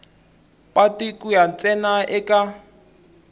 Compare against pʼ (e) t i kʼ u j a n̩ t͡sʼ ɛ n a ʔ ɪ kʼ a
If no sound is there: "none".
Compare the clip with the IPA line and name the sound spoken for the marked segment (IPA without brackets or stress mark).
a